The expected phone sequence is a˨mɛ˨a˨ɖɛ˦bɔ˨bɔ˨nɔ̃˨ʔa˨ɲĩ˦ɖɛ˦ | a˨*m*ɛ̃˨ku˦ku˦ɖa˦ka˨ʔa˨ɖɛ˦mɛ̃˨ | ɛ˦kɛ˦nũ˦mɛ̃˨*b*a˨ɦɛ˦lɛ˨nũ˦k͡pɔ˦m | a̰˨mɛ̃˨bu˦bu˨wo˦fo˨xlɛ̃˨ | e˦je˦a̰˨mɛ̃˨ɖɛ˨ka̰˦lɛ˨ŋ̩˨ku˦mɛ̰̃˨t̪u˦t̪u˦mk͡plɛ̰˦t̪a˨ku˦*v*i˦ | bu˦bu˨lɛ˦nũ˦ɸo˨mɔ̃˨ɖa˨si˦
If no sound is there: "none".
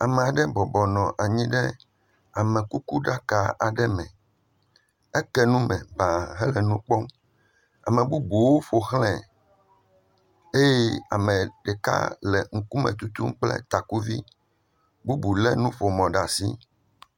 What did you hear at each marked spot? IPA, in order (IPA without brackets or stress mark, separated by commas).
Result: m, b, v